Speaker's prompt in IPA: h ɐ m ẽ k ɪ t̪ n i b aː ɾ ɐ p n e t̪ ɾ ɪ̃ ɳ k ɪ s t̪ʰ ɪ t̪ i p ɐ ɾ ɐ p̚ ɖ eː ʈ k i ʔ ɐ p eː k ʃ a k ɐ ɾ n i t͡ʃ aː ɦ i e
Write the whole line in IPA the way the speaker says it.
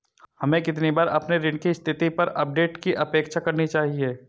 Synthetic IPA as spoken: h ɐ m ẽ k ɪ t̪ n i b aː ɾ ɐ p n e ɾ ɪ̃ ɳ k i s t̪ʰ ɪ t̪ i p ɐ ɾ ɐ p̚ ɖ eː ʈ k i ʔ ɐ p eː k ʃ a k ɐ ɾ n i t͡ʃ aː ɦ i e